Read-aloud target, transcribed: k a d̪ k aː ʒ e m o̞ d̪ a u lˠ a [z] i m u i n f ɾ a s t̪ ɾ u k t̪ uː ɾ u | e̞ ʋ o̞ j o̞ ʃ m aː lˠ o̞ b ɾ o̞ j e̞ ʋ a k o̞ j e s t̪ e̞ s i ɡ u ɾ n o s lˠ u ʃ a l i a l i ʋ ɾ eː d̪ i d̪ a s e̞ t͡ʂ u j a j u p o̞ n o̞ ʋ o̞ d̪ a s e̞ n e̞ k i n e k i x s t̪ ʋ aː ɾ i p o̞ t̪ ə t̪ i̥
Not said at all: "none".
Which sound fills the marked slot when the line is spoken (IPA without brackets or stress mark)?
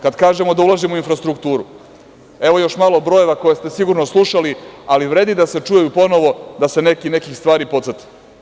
ʒ